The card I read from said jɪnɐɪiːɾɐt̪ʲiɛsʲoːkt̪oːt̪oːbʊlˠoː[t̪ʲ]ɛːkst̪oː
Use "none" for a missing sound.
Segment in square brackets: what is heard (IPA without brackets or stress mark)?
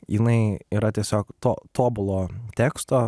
t̪ʲ